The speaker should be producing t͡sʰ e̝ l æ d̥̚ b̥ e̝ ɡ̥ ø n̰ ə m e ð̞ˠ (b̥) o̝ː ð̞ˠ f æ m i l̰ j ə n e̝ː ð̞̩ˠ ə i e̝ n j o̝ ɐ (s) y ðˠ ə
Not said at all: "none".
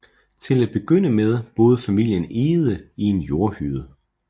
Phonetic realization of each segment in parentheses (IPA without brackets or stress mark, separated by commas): b̥, h